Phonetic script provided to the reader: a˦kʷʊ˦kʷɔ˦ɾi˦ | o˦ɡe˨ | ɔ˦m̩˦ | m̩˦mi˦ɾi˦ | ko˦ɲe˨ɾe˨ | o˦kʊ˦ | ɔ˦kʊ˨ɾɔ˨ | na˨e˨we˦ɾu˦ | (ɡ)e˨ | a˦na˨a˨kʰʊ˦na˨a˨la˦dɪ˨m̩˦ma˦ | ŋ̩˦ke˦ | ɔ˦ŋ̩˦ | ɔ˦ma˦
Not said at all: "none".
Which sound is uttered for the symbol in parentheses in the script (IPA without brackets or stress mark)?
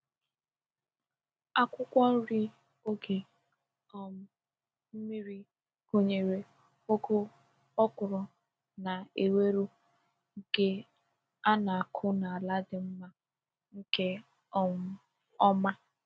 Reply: ɡ